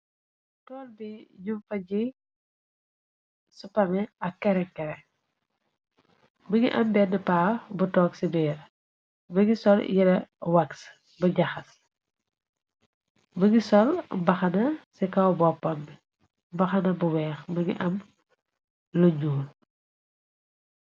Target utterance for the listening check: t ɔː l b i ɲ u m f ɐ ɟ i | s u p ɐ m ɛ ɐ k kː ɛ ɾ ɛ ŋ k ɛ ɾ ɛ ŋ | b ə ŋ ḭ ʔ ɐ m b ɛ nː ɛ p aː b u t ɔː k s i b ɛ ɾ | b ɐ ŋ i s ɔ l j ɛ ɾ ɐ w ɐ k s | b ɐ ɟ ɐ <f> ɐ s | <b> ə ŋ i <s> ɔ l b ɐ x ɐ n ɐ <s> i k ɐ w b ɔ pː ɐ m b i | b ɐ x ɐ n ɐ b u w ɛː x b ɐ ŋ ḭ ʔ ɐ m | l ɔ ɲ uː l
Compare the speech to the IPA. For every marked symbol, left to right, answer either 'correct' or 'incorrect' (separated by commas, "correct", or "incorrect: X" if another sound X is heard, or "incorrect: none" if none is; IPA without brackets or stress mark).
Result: incorrect: x, correct, correct, correct